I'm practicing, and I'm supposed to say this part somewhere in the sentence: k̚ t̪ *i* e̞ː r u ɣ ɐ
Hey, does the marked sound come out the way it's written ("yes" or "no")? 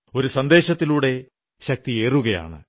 yes